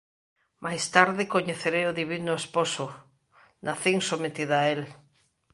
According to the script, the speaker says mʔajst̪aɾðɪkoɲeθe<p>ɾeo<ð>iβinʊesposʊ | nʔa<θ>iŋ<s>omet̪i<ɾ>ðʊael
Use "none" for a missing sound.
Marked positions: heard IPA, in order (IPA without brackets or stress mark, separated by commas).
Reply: none, ð, θ, s, none